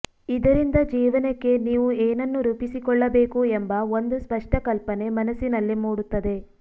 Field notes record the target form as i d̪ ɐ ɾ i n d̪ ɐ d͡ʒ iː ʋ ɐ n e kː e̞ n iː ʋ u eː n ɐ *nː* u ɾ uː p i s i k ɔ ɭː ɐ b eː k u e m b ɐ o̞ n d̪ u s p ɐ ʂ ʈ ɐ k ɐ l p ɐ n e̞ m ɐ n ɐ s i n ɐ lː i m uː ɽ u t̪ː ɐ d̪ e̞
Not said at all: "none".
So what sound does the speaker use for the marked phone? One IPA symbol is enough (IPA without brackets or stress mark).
nː